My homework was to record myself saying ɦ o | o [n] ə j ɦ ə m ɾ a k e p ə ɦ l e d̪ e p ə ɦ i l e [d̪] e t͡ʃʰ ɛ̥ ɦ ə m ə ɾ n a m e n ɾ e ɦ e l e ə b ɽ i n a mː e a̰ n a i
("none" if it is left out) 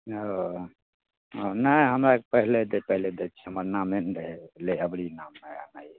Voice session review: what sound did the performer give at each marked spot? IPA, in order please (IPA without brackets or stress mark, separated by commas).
n, d̪